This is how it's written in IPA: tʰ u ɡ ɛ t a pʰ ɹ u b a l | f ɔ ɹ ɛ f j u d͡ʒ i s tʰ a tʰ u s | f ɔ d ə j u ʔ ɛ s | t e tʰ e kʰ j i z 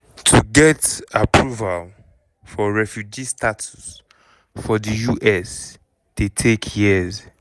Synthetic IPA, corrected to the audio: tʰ u ɡ ɛ t a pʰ ɹ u v a l | f ɔ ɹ ɛ f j u d͡ʒ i s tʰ a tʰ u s | f ɔ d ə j u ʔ ɛ s | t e tʰ e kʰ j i z